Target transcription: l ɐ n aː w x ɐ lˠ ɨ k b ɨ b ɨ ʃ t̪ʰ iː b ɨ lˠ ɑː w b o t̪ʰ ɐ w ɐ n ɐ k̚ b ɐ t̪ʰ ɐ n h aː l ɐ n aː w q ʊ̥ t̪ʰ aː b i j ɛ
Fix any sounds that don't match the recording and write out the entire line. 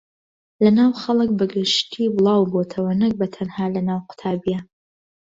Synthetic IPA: l ɐ n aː w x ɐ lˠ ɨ k b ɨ ɡ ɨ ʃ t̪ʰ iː b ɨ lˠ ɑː w b o t̪ʰ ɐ w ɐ n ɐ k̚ b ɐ t̪ʰ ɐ n h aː l ɐ n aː w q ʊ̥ t̪ʰ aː b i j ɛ